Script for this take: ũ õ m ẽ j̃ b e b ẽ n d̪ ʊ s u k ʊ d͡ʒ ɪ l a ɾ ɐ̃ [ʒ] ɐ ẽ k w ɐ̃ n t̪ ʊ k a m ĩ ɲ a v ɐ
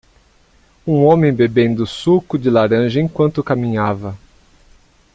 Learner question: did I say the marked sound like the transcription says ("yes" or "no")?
yes